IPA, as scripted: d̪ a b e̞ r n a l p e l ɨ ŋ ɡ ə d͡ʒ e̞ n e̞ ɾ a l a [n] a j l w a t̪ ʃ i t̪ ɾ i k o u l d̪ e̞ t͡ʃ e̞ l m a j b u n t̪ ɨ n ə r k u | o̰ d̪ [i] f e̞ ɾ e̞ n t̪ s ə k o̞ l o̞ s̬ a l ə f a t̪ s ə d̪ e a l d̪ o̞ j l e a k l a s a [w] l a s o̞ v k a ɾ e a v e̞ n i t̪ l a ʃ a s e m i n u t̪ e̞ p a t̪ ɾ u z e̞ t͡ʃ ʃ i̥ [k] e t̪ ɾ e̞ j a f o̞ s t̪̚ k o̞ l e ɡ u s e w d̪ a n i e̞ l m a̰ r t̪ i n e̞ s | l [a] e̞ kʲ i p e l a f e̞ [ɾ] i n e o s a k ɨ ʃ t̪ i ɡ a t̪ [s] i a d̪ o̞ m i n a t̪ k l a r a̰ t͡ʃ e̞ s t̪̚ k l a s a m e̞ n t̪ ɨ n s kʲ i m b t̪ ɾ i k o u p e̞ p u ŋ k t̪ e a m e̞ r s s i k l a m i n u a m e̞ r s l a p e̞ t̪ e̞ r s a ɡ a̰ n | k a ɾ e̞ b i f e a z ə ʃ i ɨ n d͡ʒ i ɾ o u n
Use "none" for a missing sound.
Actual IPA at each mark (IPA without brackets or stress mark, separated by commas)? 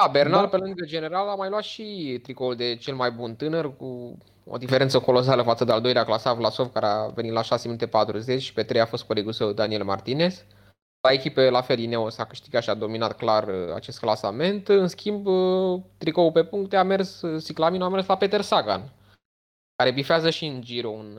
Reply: m, i, v, p, a, l, ʃ